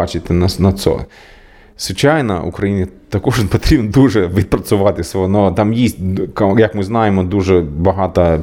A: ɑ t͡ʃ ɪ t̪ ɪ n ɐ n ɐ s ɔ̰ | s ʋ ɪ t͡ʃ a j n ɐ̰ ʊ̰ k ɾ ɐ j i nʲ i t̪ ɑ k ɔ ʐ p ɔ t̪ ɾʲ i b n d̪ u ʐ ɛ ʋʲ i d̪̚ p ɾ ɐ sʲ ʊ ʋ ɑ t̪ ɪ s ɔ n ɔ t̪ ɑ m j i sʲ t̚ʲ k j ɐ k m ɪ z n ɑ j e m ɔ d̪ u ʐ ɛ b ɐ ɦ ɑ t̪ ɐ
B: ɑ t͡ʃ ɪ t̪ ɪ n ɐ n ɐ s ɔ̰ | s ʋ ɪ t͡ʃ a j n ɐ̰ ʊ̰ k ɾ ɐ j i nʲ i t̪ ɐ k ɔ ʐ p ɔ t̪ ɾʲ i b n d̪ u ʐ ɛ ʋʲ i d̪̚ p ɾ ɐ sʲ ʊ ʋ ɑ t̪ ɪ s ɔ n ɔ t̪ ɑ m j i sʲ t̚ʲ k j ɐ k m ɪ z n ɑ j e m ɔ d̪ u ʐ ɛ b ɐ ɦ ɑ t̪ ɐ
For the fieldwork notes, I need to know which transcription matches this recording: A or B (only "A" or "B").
B